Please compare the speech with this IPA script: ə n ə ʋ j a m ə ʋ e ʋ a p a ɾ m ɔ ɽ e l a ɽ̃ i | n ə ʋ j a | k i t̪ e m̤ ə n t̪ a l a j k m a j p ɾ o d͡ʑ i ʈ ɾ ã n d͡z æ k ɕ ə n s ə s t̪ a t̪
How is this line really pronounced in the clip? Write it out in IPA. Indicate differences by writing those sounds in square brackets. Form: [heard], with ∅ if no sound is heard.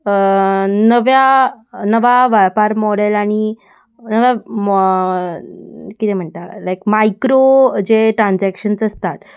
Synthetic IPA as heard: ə n ə ʋ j a [n] ə ʋ [a] ʋ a p a ɾ m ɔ ɽ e l a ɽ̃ i | n ə ʋ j a | k i t̪ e m̤ ə [ɳ] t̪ a l a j k m a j [k] ɾ o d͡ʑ [e] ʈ ɾ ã n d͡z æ k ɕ ə n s ə s t̪ a t̪